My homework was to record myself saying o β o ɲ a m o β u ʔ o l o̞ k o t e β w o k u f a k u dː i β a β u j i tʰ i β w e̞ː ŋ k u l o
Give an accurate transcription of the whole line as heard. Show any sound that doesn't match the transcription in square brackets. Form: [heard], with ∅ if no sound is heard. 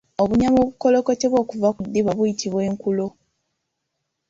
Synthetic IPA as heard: o β [u] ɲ a m o β u [k] o l o̞ k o t e β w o k u [v] a k u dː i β a β u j i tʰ i β w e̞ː ŋ k u l o